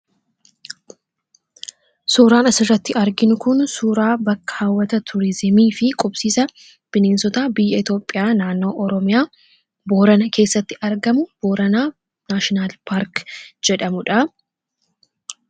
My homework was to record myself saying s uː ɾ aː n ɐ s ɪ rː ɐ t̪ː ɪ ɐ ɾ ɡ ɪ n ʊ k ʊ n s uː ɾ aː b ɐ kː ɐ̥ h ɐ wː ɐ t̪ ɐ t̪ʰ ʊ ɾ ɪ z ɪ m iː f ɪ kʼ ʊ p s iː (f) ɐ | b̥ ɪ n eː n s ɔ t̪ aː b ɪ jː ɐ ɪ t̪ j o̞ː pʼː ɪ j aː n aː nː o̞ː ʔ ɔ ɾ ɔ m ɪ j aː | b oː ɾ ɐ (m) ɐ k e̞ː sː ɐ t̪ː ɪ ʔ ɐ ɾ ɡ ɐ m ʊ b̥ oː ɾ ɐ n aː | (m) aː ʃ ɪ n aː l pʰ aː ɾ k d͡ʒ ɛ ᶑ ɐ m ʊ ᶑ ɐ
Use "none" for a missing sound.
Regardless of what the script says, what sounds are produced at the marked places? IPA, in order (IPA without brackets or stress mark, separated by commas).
s, n, n